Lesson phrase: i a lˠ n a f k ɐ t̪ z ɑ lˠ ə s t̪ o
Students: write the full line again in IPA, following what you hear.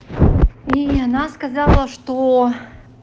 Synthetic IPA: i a n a s k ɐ z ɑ lˠ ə ʂ t̪ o